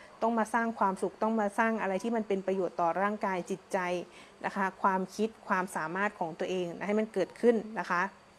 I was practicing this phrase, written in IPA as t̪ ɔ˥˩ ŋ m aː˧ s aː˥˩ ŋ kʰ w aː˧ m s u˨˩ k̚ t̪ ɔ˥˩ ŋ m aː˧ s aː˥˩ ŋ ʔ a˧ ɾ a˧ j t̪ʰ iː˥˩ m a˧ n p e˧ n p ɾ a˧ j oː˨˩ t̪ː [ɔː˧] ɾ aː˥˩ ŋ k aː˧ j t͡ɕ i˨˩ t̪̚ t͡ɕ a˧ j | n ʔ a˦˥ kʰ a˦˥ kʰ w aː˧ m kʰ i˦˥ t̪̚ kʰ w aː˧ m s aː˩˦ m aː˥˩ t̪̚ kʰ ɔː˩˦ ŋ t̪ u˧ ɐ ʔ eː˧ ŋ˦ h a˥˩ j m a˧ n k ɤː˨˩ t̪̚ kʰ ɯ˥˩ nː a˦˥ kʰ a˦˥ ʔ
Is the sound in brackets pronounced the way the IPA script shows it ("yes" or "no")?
no